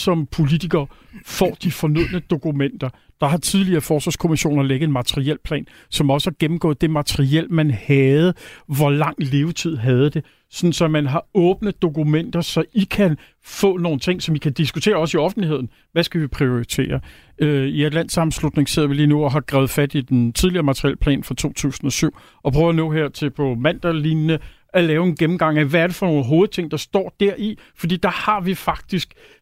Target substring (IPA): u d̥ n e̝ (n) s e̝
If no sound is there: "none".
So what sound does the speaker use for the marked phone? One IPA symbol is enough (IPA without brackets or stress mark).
ŋ